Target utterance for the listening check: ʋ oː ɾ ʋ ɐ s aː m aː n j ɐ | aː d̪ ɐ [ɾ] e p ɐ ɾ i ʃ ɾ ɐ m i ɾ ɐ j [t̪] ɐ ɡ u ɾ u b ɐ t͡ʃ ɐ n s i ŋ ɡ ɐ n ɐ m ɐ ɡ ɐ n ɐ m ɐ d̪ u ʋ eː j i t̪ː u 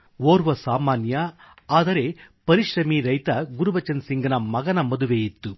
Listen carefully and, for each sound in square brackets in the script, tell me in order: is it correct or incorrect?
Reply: correct, correct

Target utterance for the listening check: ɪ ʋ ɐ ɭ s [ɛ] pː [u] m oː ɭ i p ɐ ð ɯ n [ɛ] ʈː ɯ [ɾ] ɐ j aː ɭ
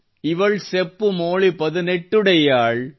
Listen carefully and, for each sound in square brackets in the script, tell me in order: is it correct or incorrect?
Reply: correct, incorrect, correct, incorrect

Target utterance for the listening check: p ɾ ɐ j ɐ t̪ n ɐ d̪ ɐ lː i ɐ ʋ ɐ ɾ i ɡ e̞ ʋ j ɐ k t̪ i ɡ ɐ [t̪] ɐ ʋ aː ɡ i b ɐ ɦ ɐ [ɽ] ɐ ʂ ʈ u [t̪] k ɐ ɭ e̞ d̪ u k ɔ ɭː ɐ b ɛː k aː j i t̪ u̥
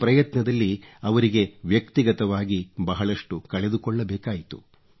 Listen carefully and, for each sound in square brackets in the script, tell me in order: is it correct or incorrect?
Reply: correct, incorrect, incorrect

